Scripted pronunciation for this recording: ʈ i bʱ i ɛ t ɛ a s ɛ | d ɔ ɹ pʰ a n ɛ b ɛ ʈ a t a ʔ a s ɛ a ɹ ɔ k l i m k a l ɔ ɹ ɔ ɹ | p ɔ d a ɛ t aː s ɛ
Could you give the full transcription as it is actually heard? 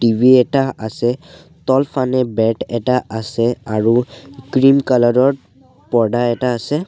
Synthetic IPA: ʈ i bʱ i ɛ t a a s ɛ | t ɔ l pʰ a n ɛ b ɛ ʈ ɛ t a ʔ a s ɛ a ɹ u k ɹ i m k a l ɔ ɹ ɔ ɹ | p ɔ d a ɛ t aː s ɛ